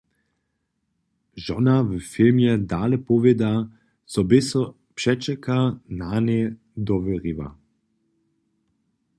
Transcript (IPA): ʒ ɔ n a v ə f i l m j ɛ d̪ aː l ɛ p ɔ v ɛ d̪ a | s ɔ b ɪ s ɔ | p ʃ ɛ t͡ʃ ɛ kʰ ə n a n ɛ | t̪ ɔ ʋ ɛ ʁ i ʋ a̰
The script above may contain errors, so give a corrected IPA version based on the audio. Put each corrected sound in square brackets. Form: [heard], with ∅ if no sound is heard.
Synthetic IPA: ʒ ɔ n a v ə f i l m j ɛ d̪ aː l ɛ p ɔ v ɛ d̪ a | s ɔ b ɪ s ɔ | p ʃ ɛ t͡ʃ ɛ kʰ [a] n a n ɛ | [d̪] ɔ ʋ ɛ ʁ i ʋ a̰

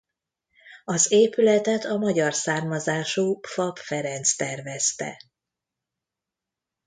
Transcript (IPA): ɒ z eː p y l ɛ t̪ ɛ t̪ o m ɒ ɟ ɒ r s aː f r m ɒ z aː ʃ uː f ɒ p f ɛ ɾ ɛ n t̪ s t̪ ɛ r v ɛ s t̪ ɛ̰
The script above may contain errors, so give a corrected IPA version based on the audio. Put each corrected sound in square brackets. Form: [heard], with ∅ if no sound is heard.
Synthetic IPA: ɒ z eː p y l ɛ t̪ ɛ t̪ [ɒ] m ɒ ɟ ɒ r s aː [∅] r m ɒ z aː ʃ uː f ɒ p f ɛ ɾ ɛ n t̪ s t̪ ɛ r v ɛ s t̪ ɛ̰

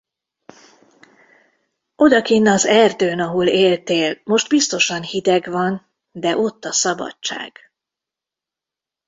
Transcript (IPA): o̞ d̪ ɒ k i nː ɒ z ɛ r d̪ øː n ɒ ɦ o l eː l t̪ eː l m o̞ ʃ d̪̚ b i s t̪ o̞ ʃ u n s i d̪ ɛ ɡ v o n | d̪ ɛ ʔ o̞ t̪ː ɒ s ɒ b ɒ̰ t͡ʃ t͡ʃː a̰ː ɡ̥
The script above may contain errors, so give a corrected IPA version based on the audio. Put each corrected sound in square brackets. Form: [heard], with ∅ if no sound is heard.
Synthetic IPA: o̞ d̪ ɒ k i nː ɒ z ɛ r d̪ øː n ɒ ɦ o l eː l t̪ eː l m o̞ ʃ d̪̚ b i s t̪ o̞ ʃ [ɒ] n [h] i d̪ ɛ ɡ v [ɒ] n | d̪ ɛ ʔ o̞ t̪ː ɒ s ɒ b ɒ̰ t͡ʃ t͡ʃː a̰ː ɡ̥

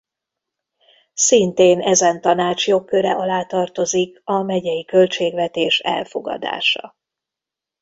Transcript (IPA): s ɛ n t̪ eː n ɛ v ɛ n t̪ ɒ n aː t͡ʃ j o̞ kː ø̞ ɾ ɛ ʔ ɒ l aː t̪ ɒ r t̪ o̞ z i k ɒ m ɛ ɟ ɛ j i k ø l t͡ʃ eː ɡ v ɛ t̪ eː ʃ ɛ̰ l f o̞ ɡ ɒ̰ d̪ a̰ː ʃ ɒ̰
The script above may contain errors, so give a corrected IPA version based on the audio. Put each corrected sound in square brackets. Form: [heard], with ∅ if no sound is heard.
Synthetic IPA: s [i] n t̪ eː n ɛ [z] ɛ n t̪ ɒ n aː t͡ʃ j o̞ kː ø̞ ɾ ɛ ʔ ɒ l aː t̪ ɒ r t̪ o̞ z i k ɒ m ɛ ɟ ɛ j i k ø l t͡ʃ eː ɡ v ɛ t̪ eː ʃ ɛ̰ l f o̞ ɡ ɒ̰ d̪ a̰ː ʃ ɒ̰

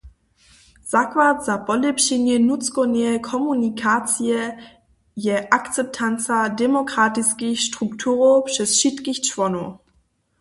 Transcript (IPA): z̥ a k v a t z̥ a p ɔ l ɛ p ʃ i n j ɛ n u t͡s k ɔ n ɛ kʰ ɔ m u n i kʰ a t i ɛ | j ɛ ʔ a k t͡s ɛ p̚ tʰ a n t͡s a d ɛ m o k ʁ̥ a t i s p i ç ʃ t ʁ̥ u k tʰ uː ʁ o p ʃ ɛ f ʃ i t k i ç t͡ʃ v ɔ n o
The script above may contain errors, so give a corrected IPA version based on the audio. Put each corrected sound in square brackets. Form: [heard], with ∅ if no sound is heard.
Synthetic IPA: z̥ a k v a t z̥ a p ɔ l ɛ p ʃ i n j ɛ n u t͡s k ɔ n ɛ kʰ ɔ m u n i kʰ a [t͡s] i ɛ | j ɛ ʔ a k t͡s ɛ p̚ tʰ a n t͡s a d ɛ m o k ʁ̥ a t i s [k] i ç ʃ t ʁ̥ u k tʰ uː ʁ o p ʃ ɛ [s] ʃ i t k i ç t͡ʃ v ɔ n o

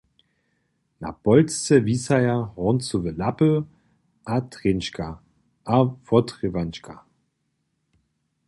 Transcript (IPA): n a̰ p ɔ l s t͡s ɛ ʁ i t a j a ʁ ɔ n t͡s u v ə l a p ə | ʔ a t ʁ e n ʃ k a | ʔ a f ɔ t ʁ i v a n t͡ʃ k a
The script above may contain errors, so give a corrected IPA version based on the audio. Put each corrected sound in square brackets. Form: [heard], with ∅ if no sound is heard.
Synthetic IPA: n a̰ p ɔ l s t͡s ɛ [v] i [s] a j a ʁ ɔ n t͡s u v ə l a p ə | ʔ a t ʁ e n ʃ k a | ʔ a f ɔ t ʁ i v a n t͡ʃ k a

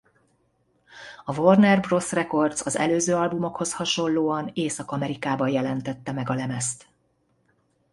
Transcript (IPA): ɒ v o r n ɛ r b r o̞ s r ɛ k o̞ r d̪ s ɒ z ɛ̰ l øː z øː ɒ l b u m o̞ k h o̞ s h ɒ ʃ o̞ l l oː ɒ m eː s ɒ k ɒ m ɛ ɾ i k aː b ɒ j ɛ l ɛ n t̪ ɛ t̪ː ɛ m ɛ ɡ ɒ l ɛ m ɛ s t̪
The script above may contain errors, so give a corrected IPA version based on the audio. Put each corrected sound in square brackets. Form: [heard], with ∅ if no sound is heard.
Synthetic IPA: ɒ v o r n ɛ r b r o̞ s r ɛ k o̞ r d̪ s ɒ z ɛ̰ l øː z øː ɒ l b u m o̞ k h o̞ s h ɒ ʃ o̞ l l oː ɒ [n] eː s ɒ k ɒ m ɛ ɾ i k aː b ɒ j ɛ l ɛ n t̪ ɛ t̪ː ɛ m ɛ ɡ ɒ l ɛ m ɛ s t̪

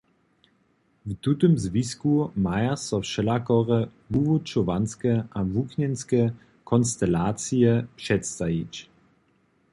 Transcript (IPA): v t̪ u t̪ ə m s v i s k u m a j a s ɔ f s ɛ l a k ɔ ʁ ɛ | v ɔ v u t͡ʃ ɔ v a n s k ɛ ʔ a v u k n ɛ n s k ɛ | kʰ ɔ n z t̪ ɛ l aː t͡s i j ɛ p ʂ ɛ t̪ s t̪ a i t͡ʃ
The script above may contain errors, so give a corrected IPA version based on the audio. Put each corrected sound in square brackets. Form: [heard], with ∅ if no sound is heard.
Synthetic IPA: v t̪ u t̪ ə m [z] v i s k u m a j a s ɔ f [ʃ] ɛ l a k ɔ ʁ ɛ | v [u] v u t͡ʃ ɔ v a n s k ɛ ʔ a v u k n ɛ n s k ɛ | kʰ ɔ n [s] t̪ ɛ l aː t͡s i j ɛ p ʂ ɛ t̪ s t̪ a i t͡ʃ

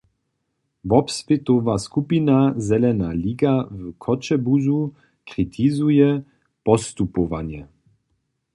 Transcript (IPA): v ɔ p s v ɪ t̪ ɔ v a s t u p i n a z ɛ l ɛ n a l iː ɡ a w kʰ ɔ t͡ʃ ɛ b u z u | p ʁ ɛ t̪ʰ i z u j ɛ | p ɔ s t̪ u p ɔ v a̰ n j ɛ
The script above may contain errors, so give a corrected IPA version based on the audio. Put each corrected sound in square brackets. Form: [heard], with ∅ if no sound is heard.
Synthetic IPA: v ɔ p s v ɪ t̪ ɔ v a s [k] u p i n a z ɛ l ɛ n a l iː ɡ a [v] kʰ ɔ t͡ʃ ɛ b u z u | [k] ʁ [i] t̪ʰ i z u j ɛ | p ɔ s t̪ u p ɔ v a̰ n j ɛ

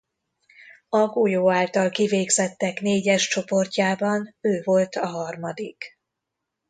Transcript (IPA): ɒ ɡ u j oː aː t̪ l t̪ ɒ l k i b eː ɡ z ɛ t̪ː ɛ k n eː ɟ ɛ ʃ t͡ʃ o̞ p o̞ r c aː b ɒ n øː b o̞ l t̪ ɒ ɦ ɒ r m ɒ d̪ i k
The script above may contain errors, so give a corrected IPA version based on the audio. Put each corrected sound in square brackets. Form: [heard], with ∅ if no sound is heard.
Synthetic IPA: ɒ ɡ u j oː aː [∅] l t̪ ɒ l k i [v] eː ɡ z ɛ t̪ː ɛ k n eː ɟ ɛ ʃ t͡ʃ o̞ p o̞ r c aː b ɒ n øː [v] o̞ l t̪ ɒ ɦ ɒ r m ɒ d̪ i k

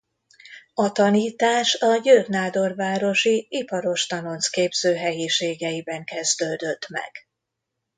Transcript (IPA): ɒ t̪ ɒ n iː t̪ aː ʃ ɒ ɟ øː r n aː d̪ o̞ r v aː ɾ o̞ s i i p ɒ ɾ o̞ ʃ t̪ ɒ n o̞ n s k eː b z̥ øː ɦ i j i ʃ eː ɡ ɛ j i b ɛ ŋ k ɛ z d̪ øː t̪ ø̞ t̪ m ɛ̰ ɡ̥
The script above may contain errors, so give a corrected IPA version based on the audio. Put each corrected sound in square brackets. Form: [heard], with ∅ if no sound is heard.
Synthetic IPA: ɒ t̪ ɒ n iː t̪ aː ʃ ɒ ɟ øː r n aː d̪ o̞ r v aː ɾ o̞ [ʃ] i i p ɒ ɾ o̞ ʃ t̪ ɒ n o̞ n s k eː b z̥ øː ɦ [ɛ] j i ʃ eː ɡ ɛ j i b ɛ ŋ k ɛ z d̪ øː [d̪] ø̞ t̪ m ɛ̰ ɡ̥

